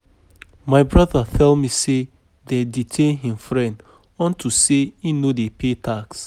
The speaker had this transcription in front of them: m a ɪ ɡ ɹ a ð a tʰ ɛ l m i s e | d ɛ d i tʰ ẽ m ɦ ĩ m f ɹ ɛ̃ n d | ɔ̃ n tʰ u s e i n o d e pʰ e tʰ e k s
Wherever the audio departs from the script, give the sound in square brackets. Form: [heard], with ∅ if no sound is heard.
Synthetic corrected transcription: m a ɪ [b] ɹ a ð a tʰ ɛ l m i s e | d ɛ d i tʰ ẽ [n] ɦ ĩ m f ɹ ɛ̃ n d | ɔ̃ n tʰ u s e i n o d e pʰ e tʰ [a] k s